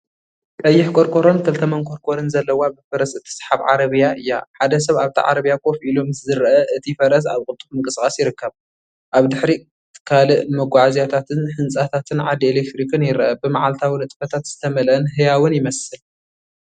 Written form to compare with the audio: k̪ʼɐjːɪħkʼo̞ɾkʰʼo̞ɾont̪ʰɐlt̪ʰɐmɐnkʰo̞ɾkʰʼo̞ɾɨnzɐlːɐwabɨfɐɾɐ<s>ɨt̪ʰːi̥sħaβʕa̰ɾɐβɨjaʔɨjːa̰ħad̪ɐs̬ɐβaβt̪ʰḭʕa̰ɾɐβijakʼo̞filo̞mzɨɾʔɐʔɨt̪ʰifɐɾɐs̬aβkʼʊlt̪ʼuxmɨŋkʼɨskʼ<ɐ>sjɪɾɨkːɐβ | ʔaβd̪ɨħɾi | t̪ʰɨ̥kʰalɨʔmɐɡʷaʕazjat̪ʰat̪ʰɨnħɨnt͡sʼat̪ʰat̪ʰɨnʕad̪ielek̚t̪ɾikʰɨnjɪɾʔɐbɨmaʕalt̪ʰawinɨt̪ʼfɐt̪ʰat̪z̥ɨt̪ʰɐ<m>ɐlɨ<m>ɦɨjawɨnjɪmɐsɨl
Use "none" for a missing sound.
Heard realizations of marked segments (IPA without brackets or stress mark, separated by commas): s, a, m, n